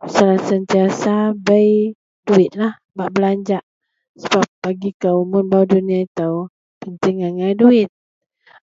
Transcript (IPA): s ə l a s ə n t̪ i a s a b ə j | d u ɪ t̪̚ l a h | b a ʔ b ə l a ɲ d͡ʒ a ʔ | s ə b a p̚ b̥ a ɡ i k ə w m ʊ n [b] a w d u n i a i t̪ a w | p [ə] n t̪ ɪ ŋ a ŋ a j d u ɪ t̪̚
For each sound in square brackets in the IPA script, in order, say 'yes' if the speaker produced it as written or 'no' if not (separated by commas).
yes, yes